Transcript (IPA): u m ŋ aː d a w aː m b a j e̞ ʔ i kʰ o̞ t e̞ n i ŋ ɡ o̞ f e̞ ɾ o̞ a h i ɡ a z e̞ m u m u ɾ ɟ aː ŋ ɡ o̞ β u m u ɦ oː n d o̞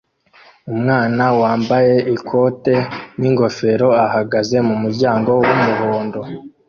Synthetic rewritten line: u m ŋ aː n a w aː m b a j e̞ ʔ i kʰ o̞ t e̞ n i ŋ ɡ o̞ f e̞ ɾ o̞ a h a ɡ a z e̞ m u m u ɾ ɟ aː ŋ ɡ o̞ w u m u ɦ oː n d o̞